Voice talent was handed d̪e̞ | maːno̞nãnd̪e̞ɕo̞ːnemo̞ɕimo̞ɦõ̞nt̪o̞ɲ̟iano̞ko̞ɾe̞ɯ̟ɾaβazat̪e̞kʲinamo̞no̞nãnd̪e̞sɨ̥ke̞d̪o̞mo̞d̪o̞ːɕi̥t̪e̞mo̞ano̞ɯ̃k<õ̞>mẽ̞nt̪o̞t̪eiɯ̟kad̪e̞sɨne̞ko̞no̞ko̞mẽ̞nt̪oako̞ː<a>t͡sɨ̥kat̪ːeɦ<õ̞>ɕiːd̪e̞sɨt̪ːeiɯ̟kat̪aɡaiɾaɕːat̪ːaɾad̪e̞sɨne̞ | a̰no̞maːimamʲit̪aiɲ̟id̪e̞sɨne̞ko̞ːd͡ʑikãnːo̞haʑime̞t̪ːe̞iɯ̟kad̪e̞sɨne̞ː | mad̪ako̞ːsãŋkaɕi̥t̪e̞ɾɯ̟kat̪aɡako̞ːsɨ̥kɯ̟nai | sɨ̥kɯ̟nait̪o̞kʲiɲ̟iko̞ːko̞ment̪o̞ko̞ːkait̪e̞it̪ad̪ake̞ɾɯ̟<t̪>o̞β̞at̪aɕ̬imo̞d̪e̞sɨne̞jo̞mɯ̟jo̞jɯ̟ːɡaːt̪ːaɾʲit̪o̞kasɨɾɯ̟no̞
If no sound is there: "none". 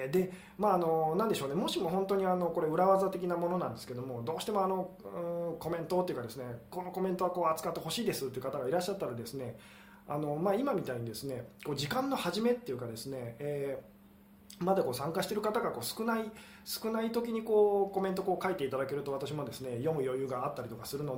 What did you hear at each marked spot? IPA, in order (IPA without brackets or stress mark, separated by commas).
o̞, a, o̞, t̪